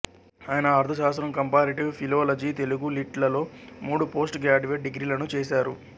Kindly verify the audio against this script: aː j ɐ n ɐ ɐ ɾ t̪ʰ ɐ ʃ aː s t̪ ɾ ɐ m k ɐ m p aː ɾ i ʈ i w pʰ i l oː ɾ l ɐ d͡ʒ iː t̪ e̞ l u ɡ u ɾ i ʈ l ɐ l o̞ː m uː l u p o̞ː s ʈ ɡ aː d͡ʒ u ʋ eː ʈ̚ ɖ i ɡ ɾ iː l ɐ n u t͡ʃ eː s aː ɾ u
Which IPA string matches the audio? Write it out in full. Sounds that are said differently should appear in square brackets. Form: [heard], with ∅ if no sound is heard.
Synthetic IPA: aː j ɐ n ɐ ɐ ɾ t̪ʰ ɐ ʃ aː s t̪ ɾ ɐ m k ɐ m p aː ɾ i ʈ i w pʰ i l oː [∅] l ɐ d͡ʒ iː t̪ e̞ l u ɡ u [l] i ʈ l ɐ l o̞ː m uː [ɽ] u p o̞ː s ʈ ɡ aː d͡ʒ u ʋ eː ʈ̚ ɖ i ɡ ɾ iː l ɐ n u t͡ʃ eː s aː ɾ u

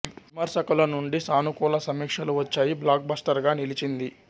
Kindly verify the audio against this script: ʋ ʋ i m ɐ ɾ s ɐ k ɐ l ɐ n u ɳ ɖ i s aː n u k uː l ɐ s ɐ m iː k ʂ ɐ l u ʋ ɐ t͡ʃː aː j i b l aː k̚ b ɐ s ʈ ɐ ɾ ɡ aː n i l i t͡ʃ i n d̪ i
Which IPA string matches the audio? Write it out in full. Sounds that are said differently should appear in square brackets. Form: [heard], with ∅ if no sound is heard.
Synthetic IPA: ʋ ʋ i m ɐ ɾ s ɐ k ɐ l ɐ n u ɳ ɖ i s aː n u k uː l ɐ s ɐ m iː k ʂ ɐ l u ʋ ɐ t͡ʃː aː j i b l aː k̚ b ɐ s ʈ ɐ ɾ ɡ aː n i l i t͡ʃ i n d̪ i

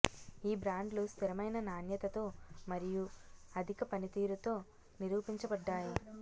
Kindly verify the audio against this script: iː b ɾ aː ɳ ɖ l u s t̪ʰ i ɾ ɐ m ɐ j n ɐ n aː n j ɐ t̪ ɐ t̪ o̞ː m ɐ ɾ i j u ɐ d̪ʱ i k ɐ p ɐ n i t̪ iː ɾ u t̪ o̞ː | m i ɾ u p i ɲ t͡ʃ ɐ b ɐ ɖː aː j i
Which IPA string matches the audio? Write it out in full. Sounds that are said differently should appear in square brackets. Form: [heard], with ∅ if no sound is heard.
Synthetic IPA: iː b ɾ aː ɳ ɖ l u s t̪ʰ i ɾ ɐ m ɐ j n ɐ n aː n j ɐ t̪ ɐ t̪ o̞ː m ɐ ɾ i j u ɐ d̪ʱ i k ɐ p ɐ n i t̪ iː ɾ u t̪ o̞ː | [n] i ɾ [uː] p i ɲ t͡ʃ ɐ b ɐ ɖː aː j i

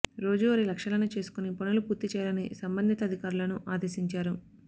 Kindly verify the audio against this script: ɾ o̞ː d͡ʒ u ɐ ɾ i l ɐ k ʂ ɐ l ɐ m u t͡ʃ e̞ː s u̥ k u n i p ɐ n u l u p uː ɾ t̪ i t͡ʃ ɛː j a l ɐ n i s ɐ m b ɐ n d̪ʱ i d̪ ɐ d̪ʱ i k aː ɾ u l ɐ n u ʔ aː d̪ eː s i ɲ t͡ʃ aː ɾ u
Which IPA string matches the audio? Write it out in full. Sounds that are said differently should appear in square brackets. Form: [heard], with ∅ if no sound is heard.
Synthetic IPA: ɾ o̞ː d͡ʒ u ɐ ɾ i l ɐ k ʂ ɐ l ɐ [n] u t͡ʃ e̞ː s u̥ k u n i p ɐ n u l u p uː ɾ t̪ i t͡ʃ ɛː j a l ɐ n i s ɐ m b ɐ n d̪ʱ i [t̪] ɐ d̪ʱ i k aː ɾ u l ɐ n u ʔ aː d̪ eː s i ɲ t͡ʃ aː ɾ u

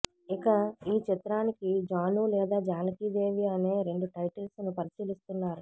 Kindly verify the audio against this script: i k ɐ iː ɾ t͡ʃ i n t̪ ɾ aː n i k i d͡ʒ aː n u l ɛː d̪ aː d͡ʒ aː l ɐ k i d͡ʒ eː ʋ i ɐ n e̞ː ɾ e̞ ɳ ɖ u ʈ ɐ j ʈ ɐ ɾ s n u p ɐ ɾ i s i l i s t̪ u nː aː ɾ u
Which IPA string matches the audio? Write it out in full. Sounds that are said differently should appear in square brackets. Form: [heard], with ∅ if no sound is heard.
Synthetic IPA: i k ɐ iː [∅] t͡ʃ i [∅] t̪ ɾ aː n i k i d͡ʒ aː n u l ɛː d̪ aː d͡ʒ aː l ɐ k i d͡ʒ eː ʋ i ɐ n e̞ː ɾ e̞ ɳ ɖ u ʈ ɐ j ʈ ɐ [l] s n u p ɐ ɾ i s [iː] l i s t̪ u nː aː ɾ u

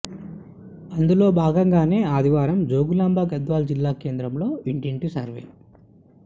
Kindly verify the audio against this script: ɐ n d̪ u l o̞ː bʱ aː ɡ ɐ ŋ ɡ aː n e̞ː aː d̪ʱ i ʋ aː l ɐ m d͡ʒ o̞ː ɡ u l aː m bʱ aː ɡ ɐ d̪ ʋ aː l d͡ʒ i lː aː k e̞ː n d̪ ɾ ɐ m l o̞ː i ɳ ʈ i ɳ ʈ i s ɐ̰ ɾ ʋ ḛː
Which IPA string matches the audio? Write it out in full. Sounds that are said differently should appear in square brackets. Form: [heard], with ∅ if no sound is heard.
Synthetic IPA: ɐ n d̪ u l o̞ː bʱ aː ɡ ɐ ŋ ɡ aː n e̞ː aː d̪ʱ i ʋ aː [ɾ] ɐ m d͡ʒ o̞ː ɡ u l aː m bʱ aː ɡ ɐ d̪ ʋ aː l d͡ʒ i lː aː k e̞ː n d̪ ɾ ɐ m l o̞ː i ɳ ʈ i ɳ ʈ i s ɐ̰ ɾ ʋ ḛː

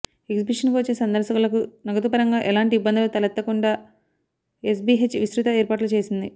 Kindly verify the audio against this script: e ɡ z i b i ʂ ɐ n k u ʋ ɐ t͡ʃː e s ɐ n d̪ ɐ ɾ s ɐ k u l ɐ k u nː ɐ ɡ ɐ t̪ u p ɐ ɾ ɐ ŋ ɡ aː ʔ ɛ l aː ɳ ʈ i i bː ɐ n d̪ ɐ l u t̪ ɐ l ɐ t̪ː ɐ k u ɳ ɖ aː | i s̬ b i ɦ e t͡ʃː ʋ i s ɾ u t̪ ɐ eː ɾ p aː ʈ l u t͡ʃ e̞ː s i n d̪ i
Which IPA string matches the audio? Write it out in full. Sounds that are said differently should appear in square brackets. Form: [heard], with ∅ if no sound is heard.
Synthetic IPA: e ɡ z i b i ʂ ɐ n k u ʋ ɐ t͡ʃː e s ɐ n d̪ ɐ ɾ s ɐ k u l ɐ k u [n] ɐ ɡ ɐ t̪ u p ɐ ɾ ɐ ŋ ɡ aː ʔ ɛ l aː ɳ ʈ i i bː ɐ n d̪ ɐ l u t̪ ɐ l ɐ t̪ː ɐ k u ɳ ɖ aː | [e] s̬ b i ɦ e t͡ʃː ʋ i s ɾ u t̪ ɐ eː ɾ p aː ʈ l u t͡ʃ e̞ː s i n d̪ i

